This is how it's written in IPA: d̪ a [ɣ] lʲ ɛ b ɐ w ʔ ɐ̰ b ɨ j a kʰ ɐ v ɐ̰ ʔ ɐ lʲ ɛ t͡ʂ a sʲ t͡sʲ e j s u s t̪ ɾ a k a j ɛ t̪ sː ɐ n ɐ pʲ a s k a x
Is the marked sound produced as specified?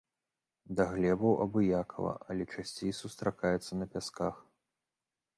yes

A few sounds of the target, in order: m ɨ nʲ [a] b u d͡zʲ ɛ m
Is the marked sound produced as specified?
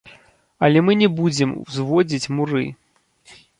no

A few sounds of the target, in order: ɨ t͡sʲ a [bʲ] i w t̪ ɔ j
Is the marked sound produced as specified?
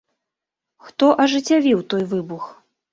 no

